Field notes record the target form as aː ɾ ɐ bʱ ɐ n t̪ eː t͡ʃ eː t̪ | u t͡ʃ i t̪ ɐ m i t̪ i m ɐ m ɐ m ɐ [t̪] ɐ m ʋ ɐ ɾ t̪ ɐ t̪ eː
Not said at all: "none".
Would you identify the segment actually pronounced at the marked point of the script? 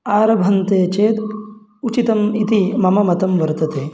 t̪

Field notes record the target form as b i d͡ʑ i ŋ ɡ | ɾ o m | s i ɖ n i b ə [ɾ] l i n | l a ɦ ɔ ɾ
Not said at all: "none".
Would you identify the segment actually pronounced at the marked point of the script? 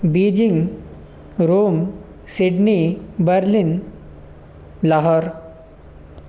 ɾ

